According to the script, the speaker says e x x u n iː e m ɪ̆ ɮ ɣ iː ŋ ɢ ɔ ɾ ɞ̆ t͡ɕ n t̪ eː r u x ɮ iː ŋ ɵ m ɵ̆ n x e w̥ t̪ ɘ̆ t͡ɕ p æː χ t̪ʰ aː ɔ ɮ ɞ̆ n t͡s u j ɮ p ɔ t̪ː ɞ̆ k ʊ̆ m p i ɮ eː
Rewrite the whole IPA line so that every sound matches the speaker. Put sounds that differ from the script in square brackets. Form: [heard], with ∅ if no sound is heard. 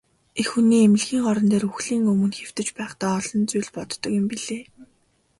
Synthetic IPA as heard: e x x u n iː e m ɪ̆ ɮ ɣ iː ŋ ɢ ɔ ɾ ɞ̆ [∅] n t̪ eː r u x ɮ iː ŋ ɵ m ɵ̆ n x e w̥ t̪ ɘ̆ t͡ɕ p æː χ [t̪] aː ɔ ɮ ɞ̆ n t͡s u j ɮ p ɔ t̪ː ɞ̆ k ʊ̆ m p i ɮ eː